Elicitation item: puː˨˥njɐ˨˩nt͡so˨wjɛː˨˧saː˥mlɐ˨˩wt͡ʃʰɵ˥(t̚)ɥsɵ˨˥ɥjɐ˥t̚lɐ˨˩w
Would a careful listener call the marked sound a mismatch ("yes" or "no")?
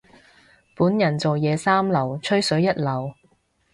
yes